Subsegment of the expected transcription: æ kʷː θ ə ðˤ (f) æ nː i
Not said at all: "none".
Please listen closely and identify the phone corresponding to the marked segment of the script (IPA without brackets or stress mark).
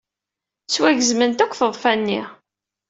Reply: f